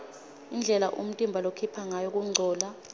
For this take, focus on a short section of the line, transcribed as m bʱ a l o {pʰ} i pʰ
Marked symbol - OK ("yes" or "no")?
no